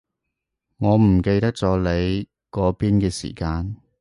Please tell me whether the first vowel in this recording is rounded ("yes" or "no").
yes